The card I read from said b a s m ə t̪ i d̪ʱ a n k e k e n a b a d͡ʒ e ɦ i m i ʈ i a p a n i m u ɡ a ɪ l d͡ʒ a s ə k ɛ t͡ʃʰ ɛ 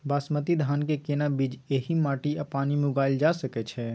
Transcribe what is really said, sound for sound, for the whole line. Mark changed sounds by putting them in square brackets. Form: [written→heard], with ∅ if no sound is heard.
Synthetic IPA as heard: b a s m ə t̪ i d̪ʱ a n k e k e n a b [a→i] d͡ʒ e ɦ i m [i→a] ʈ i a p a n i m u ɡ a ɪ l d͡ʒ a s ə k ɛ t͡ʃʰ ɛ